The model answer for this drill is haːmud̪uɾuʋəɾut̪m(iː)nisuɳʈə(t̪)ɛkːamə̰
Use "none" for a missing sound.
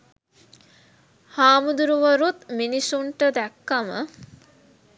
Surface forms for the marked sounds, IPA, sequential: i, d̪

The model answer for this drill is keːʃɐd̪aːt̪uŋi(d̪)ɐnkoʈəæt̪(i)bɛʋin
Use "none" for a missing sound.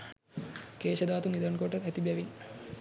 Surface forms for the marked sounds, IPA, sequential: d̪, i

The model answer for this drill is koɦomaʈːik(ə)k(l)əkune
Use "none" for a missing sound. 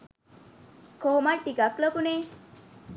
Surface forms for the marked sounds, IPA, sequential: a, l

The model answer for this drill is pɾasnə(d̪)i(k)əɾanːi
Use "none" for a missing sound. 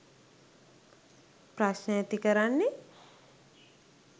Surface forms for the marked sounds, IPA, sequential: t̪, k

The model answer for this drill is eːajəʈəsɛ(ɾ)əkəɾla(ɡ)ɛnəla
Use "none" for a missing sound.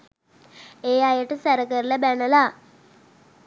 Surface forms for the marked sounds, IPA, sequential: ɾ, b

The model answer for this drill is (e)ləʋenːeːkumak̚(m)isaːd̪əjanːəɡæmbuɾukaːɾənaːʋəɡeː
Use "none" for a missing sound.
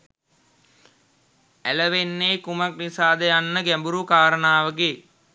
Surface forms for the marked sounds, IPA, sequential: æ, n

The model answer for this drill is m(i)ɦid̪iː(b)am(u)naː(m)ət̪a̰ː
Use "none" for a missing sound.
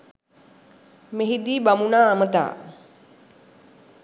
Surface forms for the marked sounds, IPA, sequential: e, b, u, m

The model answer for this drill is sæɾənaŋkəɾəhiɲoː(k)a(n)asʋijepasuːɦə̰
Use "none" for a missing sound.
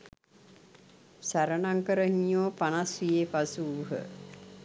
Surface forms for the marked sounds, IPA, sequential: p, n

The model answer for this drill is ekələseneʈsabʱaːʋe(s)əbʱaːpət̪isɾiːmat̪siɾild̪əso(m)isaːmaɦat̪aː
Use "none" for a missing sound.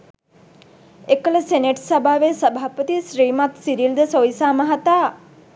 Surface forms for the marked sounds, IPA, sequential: s, none

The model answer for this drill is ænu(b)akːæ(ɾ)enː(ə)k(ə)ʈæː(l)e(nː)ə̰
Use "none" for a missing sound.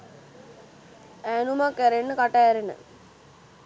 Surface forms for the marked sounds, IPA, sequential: m, ɾ, ə, a, ɾ, n

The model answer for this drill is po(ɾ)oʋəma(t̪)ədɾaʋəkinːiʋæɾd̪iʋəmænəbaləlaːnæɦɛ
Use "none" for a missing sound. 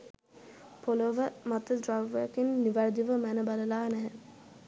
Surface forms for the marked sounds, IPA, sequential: l, t̪

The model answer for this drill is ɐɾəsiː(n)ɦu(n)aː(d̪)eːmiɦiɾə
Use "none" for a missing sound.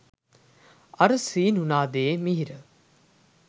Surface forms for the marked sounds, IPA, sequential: n, n, d̪

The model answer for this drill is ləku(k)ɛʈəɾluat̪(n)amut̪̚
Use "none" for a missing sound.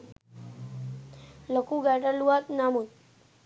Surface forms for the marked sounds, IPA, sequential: ɡ, n

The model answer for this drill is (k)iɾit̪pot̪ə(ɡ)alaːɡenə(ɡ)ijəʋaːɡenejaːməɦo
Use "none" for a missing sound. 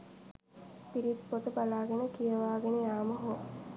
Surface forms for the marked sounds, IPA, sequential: p, b, k

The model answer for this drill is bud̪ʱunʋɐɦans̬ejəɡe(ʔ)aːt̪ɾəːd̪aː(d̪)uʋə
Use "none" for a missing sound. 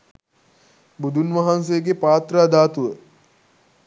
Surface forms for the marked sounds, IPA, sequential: p, t̪

